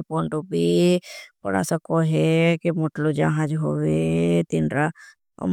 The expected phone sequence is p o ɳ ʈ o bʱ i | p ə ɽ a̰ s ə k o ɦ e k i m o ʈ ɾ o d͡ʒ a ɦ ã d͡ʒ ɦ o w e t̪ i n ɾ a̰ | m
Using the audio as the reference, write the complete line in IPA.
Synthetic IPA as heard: p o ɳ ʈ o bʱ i | p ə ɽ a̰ s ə k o ɦ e k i m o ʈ l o d͡ʒ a ɦ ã d͡ʒ ɦ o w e t̪ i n ɾ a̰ | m